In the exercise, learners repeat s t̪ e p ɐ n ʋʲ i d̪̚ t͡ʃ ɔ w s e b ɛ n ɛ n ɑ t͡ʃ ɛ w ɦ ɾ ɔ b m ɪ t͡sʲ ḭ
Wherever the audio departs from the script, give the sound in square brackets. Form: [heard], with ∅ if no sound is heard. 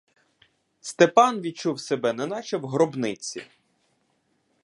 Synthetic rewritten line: s t̪ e p [ɑ] n ʋʲ i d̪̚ t͡ʃ [u] w s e b ɛ n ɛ n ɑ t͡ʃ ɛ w ɦ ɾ ɔ b [n] ɪ t͡sʲ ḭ